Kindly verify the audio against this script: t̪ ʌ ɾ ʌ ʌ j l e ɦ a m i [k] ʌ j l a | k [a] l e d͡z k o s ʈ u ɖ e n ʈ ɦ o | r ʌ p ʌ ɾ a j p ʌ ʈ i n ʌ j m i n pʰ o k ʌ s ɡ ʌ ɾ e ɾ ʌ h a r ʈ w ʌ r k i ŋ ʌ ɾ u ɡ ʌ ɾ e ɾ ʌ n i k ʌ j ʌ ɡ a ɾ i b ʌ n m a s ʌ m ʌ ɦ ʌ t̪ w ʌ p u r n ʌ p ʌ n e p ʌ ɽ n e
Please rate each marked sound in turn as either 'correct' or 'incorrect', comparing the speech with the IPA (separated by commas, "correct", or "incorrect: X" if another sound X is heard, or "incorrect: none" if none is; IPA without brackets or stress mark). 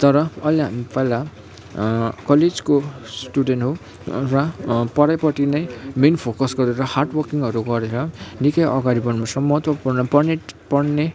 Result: incorrect: p, incorrect: ʌ